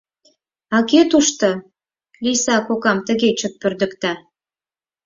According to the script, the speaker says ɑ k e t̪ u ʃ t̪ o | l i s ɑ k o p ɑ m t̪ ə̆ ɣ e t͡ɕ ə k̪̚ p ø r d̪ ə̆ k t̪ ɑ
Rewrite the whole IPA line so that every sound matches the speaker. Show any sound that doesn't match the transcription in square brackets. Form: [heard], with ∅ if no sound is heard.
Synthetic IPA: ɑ k e t̪ u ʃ t̪ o | l i s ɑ k o [k] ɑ m t̪ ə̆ ɣ e t͡ɕ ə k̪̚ p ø r d̪ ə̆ k t̪ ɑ